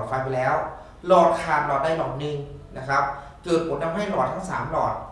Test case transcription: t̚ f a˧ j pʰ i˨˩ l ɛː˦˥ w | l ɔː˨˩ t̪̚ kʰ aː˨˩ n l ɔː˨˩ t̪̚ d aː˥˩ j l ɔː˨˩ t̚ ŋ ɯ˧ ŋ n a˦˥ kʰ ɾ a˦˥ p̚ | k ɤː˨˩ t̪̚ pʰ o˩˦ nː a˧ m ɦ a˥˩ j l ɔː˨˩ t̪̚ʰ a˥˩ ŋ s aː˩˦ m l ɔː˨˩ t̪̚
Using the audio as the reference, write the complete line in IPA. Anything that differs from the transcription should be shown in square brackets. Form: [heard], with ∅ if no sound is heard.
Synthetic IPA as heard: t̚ f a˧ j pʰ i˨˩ l ɛː˦˥ w | l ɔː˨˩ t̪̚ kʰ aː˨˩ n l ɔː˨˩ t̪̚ d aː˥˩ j l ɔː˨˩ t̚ [n] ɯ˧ ŋ n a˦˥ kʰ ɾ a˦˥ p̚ | k ɤː˨˩ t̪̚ pʰ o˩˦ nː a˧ m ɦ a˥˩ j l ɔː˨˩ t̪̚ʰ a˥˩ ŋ s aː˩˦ m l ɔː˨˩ t̪̚